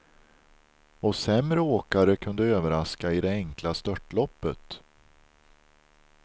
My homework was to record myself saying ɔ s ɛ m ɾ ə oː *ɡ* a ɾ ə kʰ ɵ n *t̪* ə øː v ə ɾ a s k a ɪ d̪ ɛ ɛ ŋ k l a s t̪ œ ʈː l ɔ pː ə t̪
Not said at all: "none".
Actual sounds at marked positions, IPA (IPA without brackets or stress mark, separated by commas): k, d̪